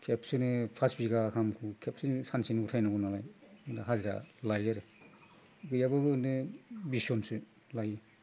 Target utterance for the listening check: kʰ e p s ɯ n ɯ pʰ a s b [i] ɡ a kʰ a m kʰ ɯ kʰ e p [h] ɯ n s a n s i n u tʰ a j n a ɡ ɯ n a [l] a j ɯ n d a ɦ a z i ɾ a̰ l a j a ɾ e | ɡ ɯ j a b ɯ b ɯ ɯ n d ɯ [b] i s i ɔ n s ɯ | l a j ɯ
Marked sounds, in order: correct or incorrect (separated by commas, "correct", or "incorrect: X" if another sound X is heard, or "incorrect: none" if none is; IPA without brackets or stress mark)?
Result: correct, incorrect: s, correct, correct